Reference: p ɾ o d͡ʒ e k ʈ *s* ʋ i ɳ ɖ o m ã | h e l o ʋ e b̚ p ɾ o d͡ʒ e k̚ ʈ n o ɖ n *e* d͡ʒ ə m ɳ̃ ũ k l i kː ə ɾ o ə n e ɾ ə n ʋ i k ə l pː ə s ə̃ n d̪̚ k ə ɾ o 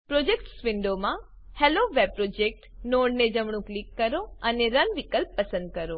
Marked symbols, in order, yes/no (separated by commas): yes, yes